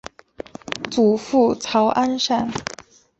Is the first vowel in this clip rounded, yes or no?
yes